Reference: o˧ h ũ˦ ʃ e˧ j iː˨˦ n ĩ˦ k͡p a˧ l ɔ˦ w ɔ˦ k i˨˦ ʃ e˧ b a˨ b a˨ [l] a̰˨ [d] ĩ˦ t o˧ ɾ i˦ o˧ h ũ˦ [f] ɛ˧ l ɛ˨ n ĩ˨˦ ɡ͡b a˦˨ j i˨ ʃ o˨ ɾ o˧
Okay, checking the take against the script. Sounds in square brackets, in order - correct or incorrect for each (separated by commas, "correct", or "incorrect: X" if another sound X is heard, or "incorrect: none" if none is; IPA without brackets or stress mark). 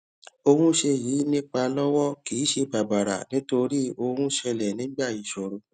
incorrect: ɾ, incorrect: n, incorrect: ʃ